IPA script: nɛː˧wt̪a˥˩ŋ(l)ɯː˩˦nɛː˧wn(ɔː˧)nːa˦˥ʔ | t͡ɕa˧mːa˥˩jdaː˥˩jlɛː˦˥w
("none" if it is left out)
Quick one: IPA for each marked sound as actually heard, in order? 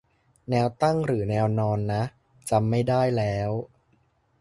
ɾ, ɔː˧

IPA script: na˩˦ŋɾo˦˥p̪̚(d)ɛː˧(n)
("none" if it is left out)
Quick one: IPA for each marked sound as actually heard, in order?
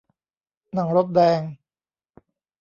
d, ŋ

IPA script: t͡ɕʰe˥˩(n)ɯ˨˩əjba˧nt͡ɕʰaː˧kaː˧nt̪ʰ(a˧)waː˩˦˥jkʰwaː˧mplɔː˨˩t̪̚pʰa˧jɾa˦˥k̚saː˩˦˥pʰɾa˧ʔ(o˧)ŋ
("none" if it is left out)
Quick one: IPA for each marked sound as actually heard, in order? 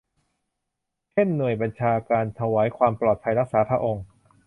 nː, a˧, o˧

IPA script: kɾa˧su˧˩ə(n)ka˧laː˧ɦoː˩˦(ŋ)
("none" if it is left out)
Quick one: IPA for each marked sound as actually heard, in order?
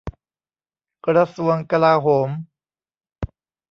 ŋ, m

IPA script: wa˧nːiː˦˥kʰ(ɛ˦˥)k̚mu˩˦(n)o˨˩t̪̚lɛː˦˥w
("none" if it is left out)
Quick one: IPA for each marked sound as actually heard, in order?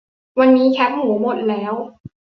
ɛ˦˥, m

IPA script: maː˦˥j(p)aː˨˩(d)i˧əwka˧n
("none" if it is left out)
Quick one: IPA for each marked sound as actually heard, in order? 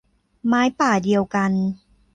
p, d

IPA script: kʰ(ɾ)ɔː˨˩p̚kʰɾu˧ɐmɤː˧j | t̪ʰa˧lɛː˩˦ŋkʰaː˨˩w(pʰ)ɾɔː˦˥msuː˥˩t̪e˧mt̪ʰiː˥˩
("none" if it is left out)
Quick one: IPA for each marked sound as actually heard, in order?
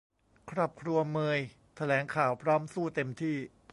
ɾ, pʰ

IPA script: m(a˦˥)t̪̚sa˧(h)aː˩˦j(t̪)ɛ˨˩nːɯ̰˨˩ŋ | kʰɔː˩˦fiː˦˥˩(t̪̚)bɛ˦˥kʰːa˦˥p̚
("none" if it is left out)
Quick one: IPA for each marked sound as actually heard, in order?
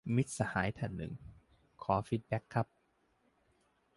i˦˥, h, t̪ʰ, t̪̚

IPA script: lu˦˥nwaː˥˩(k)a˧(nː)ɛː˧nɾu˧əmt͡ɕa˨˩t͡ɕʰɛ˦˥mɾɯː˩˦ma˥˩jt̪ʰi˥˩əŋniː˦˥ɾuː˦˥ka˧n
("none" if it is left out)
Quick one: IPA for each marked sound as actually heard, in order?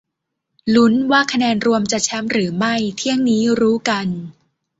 kʰ, n

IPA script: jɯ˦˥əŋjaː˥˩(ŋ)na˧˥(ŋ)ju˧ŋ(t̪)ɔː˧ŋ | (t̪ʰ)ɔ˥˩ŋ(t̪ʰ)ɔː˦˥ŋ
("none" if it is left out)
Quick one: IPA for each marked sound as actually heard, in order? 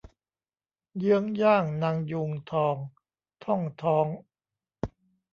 ŋ, ŋ, t̪ʰ, t̪ʰ, t̪ʰ

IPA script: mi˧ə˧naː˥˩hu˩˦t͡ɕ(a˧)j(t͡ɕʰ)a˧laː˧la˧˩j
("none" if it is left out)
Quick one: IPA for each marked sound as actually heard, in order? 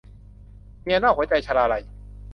a˧, t͡ɕʰ

